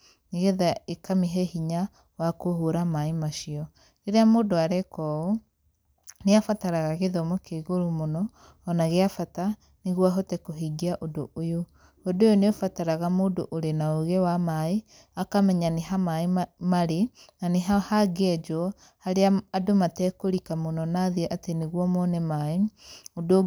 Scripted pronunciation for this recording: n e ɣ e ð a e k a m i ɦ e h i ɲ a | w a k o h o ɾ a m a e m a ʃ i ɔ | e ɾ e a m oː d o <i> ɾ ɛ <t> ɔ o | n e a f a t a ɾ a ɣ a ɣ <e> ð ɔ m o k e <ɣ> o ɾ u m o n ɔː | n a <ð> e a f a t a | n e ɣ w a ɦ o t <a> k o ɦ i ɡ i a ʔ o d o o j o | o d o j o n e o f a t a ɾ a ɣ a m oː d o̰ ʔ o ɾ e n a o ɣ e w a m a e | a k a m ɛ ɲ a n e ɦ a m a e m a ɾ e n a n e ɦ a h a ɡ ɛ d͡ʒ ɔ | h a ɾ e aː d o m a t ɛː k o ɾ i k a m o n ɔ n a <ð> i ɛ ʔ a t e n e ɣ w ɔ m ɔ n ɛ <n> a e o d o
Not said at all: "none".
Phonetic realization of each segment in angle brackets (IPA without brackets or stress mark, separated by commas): a, k, e, ɣ, ɣ, ɛ, ð, m